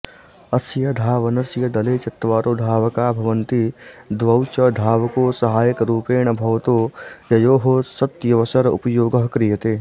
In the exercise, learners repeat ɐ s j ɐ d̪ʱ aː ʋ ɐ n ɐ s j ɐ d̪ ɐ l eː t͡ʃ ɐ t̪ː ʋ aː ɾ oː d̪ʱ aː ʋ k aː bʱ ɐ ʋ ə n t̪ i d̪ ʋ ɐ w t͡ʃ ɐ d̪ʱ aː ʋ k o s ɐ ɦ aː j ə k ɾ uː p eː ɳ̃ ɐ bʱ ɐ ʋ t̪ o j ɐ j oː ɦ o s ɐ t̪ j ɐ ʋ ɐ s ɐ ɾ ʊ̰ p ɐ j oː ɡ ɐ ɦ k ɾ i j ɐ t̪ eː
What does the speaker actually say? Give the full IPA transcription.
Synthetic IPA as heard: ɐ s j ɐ d̪ʱ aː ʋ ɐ n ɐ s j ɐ d̪ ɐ l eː t͡ʃ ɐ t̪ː ʋ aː ɾ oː d̪ʱ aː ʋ k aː bʱ ɐ ʋ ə n t̪ i d̪ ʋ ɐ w t͡ʃ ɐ d̪ʱ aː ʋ k o s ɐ ɦ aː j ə k ɾ uː p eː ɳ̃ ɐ bʱ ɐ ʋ t̪ o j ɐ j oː ɦ o s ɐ t̪ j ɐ ʋ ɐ s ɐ ɾ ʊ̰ p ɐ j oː ɡ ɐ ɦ k ɾ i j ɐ t̪ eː